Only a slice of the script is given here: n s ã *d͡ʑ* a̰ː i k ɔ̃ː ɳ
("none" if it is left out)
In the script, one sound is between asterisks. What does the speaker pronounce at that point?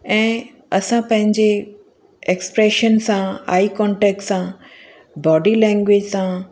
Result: none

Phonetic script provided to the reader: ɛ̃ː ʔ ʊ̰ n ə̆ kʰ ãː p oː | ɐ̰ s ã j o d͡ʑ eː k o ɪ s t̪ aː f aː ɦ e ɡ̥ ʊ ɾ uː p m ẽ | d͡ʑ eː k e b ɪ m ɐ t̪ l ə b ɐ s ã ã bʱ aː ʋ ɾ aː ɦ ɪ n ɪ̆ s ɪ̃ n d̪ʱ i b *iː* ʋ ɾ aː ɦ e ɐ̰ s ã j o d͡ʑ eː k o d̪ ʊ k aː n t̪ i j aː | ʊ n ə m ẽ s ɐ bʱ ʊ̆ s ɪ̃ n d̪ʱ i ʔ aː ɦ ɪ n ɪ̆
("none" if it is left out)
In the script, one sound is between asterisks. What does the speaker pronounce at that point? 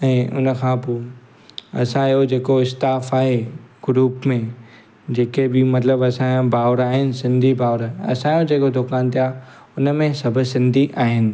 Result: aː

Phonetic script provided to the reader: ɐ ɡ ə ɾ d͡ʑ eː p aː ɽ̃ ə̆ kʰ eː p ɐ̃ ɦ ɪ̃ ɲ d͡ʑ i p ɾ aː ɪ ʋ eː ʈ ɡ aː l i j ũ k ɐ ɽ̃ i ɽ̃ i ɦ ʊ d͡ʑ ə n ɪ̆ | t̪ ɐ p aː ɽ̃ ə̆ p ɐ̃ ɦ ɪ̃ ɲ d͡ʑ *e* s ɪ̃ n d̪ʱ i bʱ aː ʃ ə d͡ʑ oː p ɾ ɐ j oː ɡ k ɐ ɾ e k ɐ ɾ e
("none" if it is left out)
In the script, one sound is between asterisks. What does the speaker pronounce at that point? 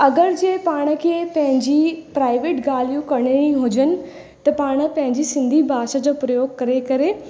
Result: i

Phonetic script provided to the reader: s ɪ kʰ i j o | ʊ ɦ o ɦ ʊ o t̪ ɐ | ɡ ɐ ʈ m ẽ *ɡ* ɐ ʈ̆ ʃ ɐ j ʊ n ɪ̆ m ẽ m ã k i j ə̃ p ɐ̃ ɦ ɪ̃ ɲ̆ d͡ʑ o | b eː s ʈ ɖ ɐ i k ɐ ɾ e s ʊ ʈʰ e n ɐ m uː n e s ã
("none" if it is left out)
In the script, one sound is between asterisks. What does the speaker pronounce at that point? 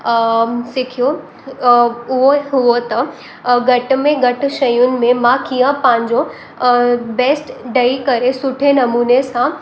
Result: ɡ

